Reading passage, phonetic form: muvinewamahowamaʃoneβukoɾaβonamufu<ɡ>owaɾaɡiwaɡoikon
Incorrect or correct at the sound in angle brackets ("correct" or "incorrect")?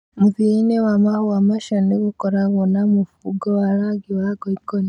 correct